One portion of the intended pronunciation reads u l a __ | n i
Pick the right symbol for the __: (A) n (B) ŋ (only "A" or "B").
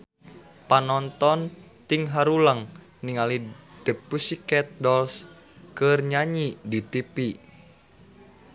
B